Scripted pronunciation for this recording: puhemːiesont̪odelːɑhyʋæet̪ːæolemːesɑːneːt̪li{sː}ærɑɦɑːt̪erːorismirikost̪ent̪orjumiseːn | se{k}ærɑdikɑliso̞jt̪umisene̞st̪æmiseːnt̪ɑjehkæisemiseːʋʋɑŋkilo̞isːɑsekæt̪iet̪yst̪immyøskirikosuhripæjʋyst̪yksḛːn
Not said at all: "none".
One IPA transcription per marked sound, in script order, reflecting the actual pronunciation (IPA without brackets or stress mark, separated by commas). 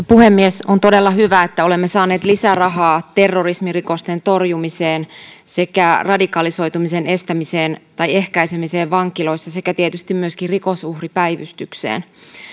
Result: s, k